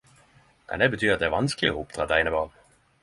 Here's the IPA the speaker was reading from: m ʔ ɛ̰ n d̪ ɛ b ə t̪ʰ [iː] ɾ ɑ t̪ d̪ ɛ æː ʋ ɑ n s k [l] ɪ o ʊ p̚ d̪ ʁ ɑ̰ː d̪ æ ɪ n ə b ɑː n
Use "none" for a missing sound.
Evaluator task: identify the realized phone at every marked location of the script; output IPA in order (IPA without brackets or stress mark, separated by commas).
yː, l